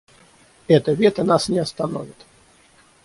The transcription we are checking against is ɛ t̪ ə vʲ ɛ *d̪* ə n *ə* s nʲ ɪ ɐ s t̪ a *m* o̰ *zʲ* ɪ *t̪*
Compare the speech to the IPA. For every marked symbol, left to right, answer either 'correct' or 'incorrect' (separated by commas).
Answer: incorrect, incorrect, incorrect, incorrect, correct